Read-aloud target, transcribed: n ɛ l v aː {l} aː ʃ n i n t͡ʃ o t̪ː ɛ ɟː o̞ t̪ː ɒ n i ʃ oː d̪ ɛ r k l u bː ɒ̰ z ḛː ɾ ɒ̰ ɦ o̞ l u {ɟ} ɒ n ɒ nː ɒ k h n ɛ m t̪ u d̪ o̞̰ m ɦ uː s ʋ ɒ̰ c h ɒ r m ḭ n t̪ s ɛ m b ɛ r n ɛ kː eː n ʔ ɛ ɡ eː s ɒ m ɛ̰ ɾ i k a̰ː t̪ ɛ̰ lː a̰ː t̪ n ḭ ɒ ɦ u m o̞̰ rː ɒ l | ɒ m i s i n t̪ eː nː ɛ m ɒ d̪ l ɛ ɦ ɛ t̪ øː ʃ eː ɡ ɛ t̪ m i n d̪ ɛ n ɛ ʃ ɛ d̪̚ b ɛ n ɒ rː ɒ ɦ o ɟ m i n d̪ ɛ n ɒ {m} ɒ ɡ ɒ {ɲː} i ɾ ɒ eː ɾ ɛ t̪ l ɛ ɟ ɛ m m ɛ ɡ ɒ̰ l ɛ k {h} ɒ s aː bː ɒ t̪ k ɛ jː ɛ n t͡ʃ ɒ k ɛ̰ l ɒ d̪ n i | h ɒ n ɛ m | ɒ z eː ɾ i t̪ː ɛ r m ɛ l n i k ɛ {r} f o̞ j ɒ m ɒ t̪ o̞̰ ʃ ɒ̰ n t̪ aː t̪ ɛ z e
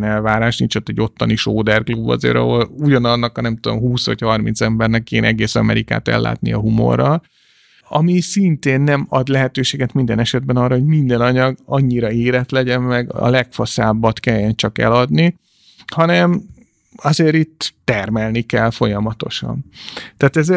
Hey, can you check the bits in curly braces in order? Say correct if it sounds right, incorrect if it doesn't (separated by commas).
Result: incorrect, correct, incorrect, correct, incorrect, incorrect